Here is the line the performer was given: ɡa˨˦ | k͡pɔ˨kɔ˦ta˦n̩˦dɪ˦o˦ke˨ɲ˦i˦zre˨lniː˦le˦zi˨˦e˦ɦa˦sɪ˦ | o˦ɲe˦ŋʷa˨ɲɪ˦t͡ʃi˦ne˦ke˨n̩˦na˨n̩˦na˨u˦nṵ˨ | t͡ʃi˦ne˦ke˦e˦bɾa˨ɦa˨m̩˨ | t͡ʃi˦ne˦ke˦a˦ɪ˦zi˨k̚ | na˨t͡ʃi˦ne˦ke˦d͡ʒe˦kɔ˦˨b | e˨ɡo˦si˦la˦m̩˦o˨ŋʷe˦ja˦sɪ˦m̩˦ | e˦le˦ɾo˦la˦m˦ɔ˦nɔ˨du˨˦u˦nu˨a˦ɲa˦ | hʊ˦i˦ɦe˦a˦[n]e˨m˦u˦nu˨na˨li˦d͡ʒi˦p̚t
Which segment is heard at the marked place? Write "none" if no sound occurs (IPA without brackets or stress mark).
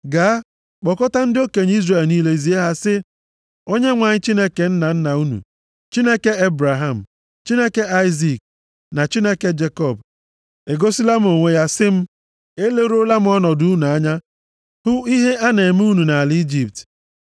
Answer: n